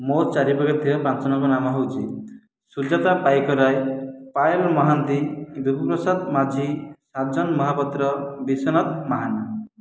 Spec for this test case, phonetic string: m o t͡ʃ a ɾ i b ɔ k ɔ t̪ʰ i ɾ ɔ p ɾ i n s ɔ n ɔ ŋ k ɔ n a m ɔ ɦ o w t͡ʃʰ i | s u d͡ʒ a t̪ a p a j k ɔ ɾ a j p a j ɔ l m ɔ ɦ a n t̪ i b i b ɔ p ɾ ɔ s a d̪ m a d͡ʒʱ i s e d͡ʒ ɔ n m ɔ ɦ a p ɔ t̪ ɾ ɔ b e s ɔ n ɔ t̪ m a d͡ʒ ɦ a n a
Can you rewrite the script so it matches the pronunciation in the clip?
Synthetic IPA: m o t͡ʃ a ɾ i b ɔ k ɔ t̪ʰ i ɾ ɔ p ɾ a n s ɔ n ɔ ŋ k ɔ n a m ɔ ɦ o w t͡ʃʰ i | s u d͡ʒ a t̪ a p a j k ɔ ɾ a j p a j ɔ l m ɔ ɦ a n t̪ i b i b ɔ p ɾ ɔ s a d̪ m a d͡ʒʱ i s a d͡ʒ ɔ n m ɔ ɦ a p ɔ t̪ ɾ ɔ b i s ɔ n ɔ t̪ m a ɦ a n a

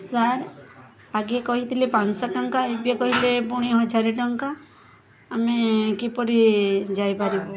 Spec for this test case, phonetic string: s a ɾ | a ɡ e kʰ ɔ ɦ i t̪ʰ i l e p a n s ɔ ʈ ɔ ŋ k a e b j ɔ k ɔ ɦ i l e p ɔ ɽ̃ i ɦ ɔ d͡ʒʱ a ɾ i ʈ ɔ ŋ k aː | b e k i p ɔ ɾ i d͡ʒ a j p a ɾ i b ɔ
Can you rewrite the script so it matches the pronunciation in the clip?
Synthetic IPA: s a ɾ | a ɡ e k ɔ ɦ i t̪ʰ i l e p a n s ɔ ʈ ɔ ŋ k a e b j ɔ k ɔ ɦ i l e p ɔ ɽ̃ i ɦ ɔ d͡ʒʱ a ɾ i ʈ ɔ ŋ k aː | m e k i p ɔ ɾ i d͡ʒ a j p a ɾ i b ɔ

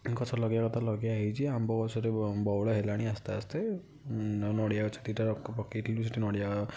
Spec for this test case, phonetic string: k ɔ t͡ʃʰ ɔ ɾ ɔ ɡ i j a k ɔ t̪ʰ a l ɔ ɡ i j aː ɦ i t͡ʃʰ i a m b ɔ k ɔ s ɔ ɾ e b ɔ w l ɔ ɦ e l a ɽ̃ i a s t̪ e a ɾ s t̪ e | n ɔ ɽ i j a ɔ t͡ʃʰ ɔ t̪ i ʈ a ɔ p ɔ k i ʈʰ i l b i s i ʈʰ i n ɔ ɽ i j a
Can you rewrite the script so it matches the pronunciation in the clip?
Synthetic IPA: k ɔ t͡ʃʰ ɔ l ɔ ɡ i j a k ɔ t̪ʰ a l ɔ ɡ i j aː ɦ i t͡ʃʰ i a m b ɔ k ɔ s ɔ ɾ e b ɔ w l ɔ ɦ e l a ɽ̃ i a s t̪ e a s t̪ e | n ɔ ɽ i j a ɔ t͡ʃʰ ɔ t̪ i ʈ a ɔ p ɔ k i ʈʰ i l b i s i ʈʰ i n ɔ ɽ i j a

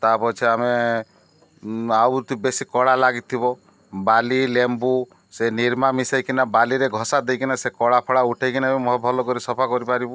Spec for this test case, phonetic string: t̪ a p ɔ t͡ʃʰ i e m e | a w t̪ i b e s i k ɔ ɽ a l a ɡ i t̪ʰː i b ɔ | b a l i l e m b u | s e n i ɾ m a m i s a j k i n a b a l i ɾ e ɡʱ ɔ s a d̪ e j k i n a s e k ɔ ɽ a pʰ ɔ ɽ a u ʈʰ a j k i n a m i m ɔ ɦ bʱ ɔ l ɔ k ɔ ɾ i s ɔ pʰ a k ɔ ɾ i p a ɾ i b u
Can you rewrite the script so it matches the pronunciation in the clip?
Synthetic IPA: t̪ a p ɔ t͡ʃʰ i a m e | a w t̪ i b e s i k ɔ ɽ a l a ɡ i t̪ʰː i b ɔ | b a l i l e m b u | s e n i ɾ m a m i s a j k i n a b a l i ɾ e ɡʱ ɔ s a d̪ e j k i n a s e k ɔ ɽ a pʰ ɔ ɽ a u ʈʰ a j k i n a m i m ɔ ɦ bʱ ɔ l ɔ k ɔ ɾ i s ɔ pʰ a k ɔ ɾ i p a ɾ i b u

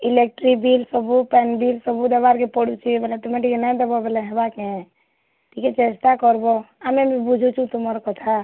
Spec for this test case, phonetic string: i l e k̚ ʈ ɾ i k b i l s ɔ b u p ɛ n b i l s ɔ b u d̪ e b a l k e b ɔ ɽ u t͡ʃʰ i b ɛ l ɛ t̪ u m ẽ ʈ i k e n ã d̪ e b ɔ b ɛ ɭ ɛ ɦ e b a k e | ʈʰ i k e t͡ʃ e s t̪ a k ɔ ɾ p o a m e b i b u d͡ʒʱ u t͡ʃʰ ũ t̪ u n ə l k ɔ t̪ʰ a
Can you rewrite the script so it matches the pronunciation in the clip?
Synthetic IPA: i l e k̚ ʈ ɾ i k b i l s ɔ b u p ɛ n b i l s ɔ b u d̪ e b a ɾ k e p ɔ ɽ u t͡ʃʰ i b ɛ l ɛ t̪ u m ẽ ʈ i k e n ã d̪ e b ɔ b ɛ l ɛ ɦ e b a k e | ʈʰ i k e t͡ʃ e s t̪ a k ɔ ɾ b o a m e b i b u d͡ʒʱ u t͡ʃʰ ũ t̪ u m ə ɾ k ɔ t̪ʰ a

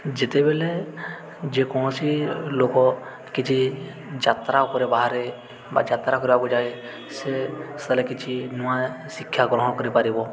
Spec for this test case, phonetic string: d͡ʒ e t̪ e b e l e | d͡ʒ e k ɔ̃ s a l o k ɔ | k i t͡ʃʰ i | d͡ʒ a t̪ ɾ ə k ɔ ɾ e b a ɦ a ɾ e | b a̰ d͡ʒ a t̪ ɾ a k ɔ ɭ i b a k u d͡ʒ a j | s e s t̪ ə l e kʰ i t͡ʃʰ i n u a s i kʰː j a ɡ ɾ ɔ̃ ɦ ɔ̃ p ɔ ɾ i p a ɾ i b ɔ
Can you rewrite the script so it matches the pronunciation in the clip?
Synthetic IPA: d͡ʒ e t̪ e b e l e | d͡ʒ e k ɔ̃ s i l o k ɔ | k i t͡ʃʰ i | d͡ʒ a t̪ ɾ a k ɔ ɾ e b a ɦ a ɾ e | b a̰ d͡ʒ a t̪ ɾ a k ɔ ɾ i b a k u d͡ʒ a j | s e s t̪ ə l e k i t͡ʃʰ i n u a s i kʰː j a ɡ ɾ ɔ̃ ɦ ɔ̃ k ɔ ɾ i p a ɾ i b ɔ

